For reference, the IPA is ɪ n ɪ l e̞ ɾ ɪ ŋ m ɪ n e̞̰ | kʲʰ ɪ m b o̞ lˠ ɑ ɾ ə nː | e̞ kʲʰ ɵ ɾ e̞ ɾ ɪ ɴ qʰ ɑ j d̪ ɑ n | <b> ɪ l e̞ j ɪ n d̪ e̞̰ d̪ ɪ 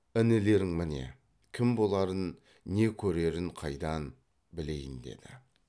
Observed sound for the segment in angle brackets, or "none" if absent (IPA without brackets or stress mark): b